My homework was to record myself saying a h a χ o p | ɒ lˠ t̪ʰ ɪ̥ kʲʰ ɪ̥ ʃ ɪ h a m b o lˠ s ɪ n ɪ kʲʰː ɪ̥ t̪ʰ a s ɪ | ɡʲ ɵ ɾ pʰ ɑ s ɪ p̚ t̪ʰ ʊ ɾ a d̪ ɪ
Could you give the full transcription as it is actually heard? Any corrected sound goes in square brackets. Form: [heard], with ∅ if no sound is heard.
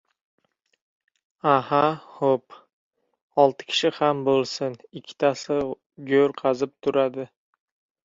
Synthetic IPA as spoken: a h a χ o p | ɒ lˠ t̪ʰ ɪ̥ kʲʰ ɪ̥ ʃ ɪ h a m b o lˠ s ɪ n ɪ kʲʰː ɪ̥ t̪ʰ a s ɪ | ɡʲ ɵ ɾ [qʰ] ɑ [z] ɪ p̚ t̪ʰ ʊ ɾ a d̪ ɪ

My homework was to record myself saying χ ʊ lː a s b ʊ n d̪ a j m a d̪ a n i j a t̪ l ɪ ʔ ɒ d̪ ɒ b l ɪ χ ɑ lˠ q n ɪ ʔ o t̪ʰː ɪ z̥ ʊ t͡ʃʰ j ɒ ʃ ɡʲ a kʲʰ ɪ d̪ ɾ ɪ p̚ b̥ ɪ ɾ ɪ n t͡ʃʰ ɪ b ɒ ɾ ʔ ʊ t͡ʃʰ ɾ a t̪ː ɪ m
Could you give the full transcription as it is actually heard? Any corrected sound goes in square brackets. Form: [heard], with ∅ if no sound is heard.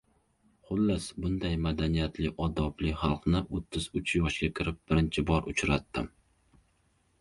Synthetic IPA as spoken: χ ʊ lː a s b ʊ n d̪ a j m a d̪ a n i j a t̪ l ɪ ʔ ɒ d̪ ɒ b l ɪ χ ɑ lˠ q n ɪ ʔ o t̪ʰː ɪ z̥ ʊ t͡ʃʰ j ɒ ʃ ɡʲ a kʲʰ ɪ [∅] ɾ ɪ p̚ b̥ ɪ ɾ ɪ n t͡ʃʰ ɪ b ɒ ɾ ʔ ʊ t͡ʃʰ ɾ a t̪ː ɪ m

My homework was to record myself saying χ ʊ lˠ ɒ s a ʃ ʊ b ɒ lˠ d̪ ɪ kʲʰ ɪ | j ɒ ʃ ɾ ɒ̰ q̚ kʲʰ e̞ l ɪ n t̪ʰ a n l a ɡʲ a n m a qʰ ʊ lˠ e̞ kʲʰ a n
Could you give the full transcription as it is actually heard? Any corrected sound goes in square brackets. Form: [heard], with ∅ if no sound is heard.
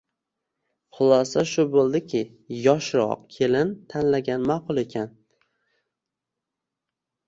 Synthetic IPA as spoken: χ ʊ lˠ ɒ s a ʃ ʊ b [o] lˠ d̪ ɪ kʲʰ ɪ | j ɒ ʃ ɾ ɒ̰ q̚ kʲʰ e̞ l ɪ n t̪ʰ a n l a ɡʲ a n m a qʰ ʊ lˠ e̞ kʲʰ a n

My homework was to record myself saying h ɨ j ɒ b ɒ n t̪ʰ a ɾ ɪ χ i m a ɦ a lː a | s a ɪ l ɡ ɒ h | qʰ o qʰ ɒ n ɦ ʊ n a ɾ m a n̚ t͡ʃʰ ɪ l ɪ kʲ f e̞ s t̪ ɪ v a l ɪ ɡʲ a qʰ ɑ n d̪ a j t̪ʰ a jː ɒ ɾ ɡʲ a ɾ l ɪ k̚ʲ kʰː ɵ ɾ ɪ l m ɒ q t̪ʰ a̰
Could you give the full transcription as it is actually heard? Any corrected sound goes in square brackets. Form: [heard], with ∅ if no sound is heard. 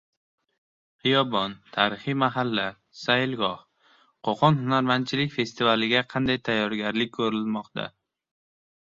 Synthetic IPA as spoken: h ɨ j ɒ b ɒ n t̪ʰ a ɾ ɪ χ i m a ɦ a lː a | s a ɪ l ɡ ɒ h | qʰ o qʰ ɒ n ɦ ʊ n a ɾ m a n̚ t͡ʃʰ ɪ l ɪ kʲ f e̞ s t̪ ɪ v a l ɪ ɡʲ a qʰ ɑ n d̪ a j t̪ʰ a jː ɒ ɾ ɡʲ a ɾ l ɪ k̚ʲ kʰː ɵ ɾ ɪ l m ɒ q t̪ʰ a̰

